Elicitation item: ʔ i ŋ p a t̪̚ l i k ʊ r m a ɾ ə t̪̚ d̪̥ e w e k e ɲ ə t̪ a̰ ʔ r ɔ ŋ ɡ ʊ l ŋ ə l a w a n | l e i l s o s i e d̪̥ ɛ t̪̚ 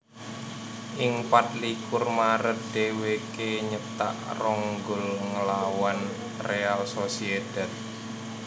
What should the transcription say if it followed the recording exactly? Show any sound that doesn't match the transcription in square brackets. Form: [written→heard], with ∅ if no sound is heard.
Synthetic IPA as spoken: ʔ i ŋ p a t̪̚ l i k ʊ r m a ɾ ə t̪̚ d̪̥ e w e k e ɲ ə t̪ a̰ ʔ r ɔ ŋ ɡ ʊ l ŋ ə l a w a n | [l→r] e [i→a] l s o s i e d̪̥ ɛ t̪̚

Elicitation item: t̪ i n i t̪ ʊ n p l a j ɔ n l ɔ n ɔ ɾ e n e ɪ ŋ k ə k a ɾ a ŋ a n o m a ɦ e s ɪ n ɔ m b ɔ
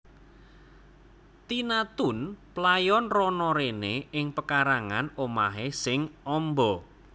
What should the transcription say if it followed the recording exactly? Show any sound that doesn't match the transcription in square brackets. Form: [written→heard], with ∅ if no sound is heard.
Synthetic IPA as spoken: t̪ i n [i→a] t̪ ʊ n p l a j ɔ n [l→r] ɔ n ɔ ɾ e n e ɪ ŋ [k→p] ə k a ɾ a ŋ a n o m a ɦ e s ɪ [n→ŋ] ɔ m b ɔ

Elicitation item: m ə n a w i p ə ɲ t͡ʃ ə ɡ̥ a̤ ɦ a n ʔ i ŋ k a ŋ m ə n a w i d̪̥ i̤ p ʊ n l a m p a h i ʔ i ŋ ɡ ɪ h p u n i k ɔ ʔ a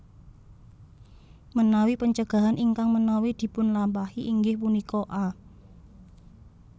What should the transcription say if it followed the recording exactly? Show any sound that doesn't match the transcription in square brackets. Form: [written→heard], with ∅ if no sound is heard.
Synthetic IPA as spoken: m ə n a w i p ə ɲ t͡ʃ ə ɡ̥ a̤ ɦ a n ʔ i ŋ k a ŋ m ə n a w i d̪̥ i̤ p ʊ n l a m p a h i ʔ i ŋ ɡ ɪ h p u n i k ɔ ʔ a

